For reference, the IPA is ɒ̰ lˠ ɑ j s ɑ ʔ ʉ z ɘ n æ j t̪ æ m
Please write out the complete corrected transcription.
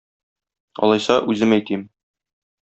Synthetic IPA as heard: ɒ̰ lˠ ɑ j s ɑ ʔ ʉ z ɘ m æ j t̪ i m